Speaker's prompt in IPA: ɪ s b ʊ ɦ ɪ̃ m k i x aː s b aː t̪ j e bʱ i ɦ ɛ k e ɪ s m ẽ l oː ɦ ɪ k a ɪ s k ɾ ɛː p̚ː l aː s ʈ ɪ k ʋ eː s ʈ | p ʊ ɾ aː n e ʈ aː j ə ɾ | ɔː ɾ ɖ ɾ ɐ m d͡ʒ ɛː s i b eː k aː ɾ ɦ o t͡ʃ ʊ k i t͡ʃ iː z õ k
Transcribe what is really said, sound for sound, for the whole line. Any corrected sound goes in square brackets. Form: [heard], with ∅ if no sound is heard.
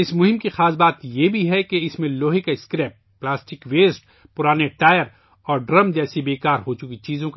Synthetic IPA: ɪ s [m] ʊ ɦ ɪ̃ m k i x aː s b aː t̪ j e bʱ i ɦ ɛ k e ɪ s m ẽ l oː ɦ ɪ k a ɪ s k ɾ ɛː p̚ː l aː s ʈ ɪ k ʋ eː s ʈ | p ʊ ɾ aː n e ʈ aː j ə ɾ | ɔː ɾ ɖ ɾ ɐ m d͡ʒ ɛː s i b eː k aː ɾ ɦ o t͡ʃ ʊ k i t͡ʃ iː z õ k